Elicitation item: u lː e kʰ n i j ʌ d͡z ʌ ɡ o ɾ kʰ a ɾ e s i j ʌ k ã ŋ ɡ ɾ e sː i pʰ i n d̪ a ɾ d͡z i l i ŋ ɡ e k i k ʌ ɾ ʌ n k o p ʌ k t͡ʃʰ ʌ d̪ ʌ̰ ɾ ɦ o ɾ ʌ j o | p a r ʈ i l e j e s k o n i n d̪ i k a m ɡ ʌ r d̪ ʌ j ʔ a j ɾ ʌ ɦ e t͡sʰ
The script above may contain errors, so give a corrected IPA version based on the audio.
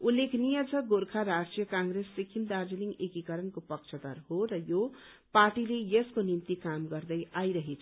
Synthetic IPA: u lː e kʰ n i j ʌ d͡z ʌ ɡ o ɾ kʰ a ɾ a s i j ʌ k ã ŋ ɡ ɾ e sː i kʰ i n d̪ a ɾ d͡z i l i ŋ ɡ e k i k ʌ ɾ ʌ n k o p ʌ k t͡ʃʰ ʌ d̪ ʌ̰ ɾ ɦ o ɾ ʌ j o | p a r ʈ i l e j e s k o n i n t̪ i k a m ɡ ʌ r d̪ ʌ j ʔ a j ɾ ʌ ɦ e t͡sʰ